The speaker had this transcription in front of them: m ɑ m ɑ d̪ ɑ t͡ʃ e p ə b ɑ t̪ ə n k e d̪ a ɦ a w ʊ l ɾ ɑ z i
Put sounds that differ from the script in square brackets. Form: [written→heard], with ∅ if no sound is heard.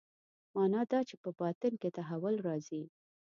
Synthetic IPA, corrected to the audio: m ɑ [m→n] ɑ d̪ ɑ t͡ʃ e p ə b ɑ t̪ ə n k e [d̪→t̪] a ɦ a w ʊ l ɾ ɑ z i